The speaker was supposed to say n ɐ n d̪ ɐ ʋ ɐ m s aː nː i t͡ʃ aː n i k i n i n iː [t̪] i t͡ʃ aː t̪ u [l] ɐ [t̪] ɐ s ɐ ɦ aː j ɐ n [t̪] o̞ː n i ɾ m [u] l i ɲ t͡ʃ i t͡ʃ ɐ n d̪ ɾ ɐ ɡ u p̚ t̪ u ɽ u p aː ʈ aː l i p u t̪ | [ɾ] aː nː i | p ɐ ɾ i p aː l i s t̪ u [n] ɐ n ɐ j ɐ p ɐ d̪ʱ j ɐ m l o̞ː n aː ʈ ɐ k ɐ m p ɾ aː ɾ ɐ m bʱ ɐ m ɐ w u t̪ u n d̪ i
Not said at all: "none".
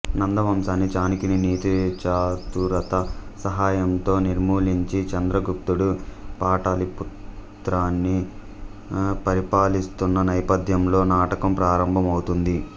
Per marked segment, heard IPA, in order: t̪, ɾ, t̪, t̪, uː, ɾ, nː

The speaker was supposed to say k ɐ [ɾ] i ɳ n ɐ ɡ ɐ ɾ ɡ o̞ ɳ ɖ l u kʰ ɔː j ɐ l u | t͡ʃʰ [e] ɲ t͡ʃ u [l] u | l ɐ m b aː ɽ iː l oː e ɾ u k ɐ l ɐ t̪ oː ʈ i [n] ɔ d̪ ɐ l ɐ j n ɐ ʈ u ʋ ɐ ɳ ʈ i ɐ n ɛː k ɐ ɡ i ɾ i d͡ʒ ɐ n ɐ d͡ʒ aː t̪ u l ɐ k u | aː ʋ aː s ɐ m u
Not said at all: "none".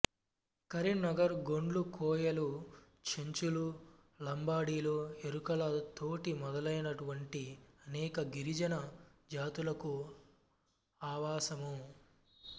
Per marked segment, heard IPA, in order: ɾ, e, l, m

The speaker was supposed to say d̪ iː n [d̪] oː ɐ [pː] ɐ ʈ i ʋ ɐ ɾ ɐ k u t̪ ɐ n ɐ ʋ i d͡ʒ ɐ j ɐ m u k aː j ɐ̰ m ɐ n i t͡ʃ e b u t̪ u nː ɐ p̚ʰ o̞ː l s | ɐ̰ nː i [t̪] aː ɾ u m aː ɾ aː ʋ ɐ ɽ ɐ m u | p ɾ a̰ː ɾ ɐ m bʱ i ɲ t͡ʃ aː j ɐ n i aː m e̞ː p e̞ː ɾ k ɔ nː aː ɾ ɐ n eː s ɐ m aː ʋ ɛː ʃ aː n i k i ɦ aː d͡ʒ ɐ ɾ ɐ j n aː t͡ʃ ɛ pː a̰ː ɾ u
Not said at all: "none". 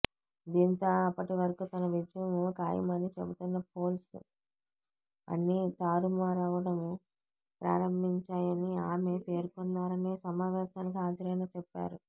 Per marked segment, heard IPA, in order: t̪, pː, t̪

